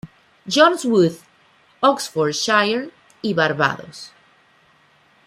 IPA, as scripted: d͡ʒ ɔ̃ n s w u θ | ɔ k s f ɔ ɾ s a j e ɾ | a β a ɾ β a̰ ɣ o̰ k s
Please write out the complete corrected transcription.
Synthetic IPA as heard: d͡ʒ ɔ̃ n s w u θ | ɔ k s f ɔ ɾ ʃ a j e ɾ | i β a ɾ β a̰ ð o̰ s